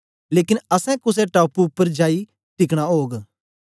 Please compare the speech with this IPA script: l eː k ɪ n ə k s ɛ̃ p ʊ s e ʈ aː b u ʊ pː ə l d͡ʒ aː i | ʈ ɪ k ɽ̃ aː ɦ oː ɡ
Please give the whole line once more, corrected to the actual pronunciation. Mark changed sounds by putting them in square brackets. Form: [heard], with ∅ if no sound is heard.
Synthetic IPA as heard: l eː k ɪ n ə [∅] s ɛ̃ [k] ʊ s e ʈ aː [p] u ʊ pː ə [ɾ] d͡ʒ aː i | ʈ ɪ k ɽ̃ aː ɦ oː ɡ